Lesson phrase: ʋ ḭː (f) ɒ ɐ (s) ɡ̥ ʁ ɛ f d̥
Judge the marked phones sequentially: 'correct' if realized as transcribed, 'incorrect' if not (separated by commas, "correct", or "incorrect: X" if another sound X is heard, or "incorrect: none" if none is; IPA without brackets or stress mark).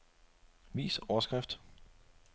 incorrect: s, correct